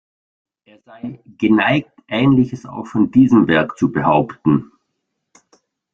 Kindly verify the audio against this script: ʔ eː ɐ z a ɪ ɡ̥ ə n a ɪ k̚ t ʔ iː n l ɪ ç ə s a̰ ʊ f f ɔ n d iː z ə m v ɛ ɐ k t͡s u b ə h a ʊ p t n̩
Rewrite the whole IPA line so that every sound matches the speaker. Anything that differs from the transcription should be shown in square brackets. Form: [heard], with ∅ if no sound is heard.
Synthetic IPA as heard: ʔ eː ɐ z a ɪ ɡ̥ ə n a ɪ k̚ t ʔ [ɛː] n l ɪ ç ə s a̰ ʊ [x] f ɔ n d iː z ə m v ɛ ɐ k t͡s u b ə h a ʊ p t n̩